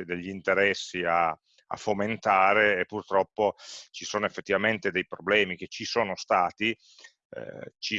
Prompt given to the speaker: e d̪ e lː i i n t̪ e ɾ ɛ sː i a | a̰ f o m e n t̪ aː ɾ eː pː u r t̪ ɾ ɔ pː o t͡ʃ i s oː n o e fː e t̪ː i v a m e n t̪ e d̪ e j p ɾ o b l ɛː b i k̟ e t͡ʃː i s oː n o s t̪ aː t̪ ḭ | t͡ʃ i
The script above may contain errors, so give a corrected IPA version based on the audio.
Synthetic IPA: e d̪ e ʎː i i n t̪ e ɾ ɛ sː i a | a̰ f o m e n t̪ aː ɾ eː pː u r t̪ ɾ ɔ pː o t͡ʃ i s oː n o e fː e t̪ː i v a m e n t̪ e d̪ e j p ɾ o b l ɛː m i k̟ e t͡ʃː i s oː n o s t̪ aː t̪ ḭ | t͡ʃ i